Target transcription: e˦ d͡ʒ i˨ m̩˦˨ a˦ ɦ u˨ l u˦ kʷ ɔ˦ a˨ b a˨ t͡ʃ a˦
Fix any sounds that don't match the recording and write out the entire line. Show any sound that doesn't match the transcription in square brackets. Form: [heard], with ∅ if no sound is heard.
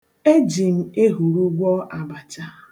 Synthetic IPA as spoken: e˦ d͡ʒ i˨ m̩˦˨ [e˦] ɦ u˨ [ɾ] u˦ [ɡʷ] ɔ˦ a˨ b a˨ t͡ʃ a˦